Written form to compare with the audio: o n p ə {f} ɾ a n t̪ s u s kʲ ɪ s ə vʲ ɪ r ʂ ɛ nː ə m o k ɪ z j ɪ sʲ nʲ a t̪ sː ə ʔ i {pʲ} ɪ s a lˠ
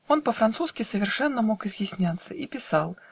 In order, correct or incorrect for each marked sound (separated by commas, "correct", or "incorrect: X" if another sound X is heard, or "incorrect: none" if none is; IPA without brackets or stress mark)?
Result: correct, correct